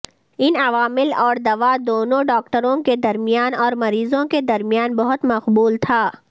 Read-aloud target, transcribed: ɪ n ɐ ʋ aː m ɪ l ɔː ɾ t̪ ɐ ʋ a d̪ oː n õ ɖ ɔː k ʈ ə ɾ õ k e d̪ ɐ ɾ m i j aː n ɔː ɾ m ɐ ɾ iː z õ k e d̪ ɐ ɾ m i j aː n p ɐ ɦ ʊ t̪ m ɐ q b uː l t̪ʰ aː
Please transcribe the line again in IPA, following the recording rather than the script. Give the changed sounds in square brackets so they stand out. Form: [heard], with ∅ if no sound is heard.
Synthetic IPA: ɪ n ɐ ʋ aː m ɪ l ɔː ɾ [d̪] ɐ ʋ a d̪ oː n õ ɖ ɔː k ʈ ə ɾ õ k e d̪ ɐ ɾ m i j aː n ɔː ɾ m ɐ ɾ iː z õ k e d̪ ɐ ɾ m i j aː n [b] ɐ ɦ ʊ t̪ m ɐ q b uː l t̪ʰ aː